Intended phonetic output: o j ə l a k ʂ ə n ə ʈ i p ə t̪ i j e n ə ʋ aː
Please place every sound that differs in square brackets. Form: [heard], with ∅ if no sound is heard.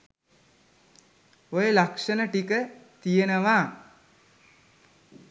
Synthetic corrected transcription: o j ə l a k ʂ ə n ə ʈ i [k] ə t̪ i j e n ə ʋ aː